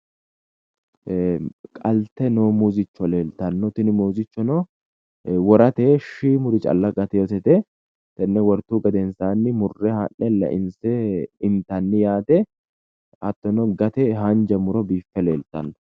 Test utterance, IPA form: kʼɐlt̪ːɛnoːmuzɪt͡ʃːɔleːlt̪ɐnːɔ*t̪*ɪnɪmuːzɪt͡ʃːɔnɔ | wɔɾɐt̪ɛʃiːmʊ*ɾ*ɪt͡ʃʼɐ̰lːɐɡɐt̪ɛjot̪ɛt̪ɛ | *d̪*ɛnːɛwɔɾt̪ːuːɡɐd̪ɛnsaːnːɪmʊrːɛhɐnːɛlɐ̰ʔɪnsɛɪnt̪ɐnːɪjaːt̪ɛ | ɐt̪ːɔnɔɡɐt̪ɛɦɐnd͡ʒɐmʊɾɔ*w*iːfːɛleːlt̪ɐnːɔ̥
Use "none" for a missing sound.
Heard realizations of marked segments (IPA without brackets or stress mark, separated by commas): t̪, ɾ, t̪, b